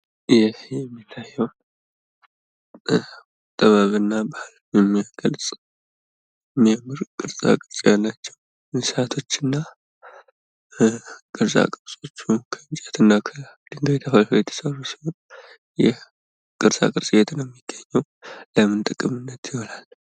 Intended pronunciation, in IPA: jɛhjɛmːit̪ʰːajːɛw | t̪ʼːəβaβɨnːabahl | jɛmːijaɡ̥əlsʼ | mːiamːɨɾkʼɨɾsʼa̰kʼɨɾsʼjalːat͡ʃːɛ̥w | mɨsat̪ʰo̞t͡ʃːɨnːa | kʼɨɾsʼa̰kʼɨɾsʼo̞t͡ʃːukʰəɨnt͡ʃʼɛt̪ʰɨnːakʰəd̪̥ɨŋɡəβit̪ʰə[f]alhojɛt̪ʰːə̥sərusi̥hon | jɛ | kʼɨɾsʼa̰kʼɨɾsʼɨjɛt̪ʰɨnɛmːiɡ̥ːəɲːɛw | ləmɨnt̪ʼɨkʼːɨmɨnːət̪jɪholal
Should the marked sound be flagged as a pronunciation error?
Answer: no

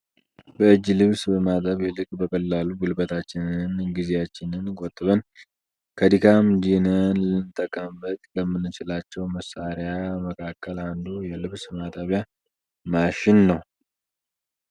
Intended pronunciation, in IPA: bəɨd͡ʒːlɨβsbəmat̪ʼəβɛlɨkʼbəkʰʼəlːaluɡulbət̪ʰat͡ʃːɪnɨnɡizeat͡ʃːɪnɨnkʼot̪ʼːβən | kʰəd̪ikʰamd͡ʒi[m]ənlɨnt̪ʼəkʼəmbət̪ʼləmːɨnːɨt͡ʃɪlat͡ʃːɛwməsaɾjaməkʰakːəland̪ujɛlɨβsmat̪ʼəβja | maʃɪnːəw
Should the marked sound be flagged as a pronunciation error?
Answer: yes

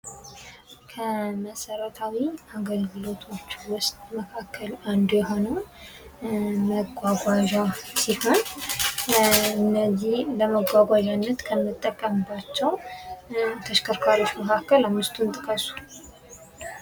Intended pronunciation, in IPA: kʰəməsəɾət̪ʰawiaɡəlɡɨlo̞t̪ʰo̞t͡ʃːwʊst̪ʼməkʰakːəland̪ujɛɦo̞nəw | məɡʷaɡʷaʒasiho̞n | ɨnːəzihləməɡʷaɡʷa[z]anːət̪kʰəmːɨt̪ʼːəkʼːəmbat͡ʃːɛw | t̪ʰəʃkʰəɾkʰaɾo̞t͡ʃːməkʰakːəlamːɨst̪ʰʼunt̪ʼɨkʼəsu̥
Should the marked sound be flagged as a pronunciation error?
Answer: yes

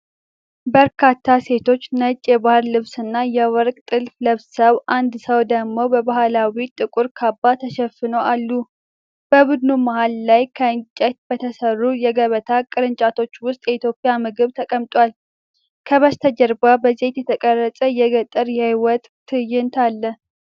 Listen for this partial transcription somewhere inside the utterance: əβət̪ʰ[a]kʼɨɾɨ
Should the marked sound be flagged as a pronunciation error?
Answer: no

